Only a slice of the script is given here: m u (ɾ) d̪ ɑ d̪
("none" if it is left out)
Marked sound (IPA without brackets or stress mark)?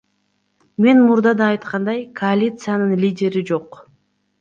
ɾ